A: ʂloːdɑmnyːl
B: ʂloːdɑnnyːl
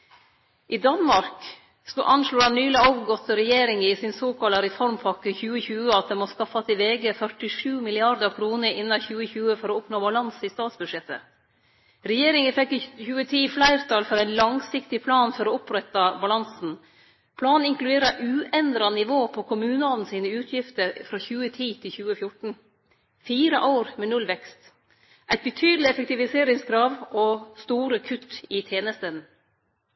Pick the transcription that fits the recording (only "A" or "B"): B